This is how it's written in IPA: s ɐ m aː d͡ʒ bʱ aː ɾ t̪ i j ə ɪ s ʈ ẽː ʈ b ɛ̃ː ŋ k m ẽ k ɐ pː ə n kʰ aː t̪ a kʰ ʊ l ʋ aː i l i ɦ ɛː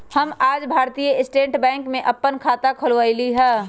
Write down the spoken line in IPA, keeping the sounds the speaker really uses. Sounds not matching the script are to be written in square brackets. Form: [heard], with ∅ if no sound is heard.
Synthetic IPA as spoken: [h] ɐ m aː d͡ʒ bʱ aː ɾ t̪ i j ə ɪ s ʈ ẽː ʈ b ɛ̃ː ŋ k m ẽ [ʔ] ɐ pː ə n kʰ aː t̪ a kʰ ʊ l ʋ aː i l i ɦ ɛː